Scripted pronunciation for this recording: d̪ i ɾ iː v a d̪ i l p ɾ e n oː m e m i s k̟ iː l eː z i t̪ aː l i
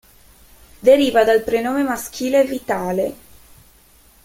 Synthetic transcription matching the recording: d̪ e ɾ iː v a d̪ a l p ɾ e n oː m e m a s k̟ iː l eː v i t̪ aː l e